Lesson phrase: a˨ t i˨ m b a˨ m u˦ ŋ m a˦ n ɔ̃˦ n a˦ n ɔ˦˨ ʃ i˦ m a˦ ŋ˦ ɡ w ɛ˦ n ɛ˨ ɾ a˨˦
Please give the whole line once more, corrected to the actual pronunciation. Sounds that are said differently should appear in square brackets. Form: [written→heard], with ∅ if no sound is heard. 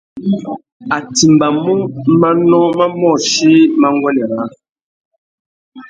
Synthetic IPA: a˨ t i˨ m b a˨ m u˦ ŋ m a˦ n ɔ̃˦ [n→m] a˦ [n→m] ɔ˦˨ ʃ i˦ m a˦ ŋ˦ ɡ w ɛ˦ n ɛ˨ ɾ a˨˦